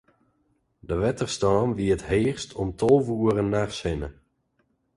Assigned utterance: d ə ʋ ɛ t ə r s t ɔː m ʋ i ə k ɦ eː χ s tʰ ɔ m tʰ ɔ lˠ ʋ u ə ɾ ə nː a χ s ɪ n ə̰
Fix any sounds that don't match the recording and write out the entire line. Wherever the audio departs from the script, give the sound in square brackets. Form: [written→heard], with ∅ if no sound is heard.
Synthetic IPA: d ə ʋ ɛ t ə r s t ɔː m ʋ i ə [k→t] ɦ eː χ s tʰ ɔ m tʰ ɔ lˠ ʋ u ə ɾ ə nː a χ s ɪ n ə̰